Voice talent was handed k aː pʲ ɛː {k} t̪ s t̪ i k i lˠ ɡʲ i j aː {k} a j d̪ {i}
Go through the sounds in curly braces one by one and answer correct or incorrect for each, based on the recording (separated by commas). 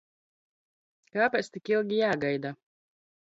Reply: incorrect, incorrect, incorrect